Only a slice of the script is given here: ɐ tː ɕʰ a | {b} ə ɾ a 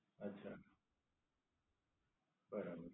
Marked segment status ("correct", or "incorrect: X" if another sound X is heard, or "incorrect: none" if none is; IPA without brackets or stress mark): correct